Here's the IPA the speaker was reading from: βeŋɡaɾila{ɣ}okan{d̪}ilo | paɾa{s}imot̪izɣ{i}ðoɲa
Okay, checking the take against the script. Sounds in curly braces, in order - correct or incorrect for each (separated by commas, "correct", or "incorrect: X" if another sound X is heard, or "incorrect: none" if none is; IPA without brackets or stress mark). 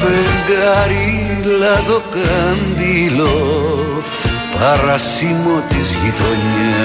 incorrect: ð, correct, correct, correct